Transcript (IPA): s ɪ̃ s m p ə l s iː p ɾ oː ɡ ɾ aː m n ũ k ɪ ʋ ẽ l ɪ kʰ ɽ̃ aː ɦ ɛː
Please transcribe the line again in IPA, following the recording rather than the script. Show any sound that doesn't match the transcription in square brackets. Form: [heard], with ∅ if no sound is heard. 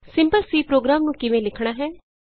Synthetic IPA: s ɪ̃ [∅] m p ə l s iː p ɾ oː ɡ ɾ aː m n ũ k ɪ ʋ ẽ l ɪ kʰ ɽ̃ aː ɦ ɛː